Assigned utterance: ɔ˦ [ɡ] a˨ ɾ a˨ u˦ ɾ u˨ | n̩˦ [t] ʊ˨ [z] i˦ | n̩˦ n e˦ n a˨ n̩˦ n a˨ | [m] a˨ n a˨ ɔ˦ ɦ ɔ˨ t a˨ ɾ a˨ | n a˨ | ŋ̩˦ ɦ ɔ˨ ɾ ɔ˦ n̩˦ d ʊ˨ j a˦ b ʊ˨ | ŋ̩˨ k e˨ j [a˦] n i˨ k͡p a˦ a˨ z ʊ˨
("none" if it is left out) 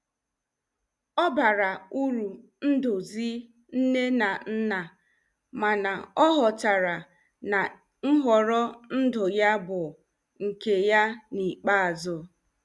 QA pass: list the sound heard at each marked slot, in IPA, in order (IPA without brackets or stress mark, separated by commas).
b, d, z, m, a˦